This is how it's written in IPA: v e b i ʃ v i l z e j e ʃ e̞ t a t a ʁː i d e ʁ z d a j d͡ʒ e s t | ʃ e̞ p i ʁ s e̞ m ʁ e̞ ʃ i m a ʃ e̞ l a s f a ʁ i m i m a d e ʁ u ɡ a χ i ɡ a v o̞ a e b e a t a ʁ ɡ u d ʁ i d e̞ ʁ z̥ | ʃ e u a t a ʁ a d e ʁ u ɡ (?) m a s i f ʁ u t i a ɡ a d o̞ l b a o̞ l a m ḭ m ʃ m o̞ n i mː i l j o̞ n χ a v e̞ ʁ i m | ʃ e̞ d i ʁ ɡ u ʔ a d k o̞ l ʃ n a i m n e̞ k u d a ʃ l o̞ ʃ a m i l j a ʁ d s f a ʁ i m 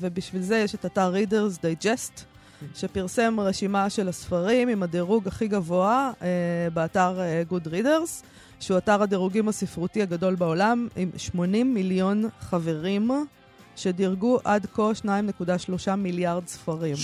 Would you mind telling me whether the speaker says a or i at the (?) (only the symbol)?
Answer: i